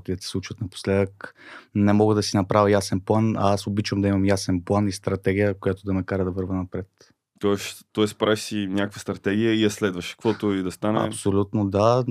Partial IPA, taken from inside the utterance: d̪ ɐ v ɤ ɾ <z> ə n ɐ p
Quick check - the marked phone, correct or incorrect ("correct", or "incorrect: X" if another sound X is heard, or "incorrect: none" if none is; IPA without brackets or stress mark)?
incorrect: v